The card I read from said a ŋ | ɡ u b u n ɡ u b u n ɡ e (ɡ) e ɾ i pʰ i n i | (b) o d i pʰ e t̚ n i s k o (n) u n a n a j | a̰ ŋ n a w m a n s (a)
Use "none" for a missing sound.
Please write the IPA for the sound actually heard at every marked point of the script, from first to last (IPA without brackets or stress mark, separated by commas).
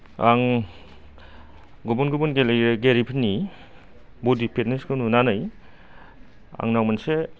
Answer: ɡ, b, n, e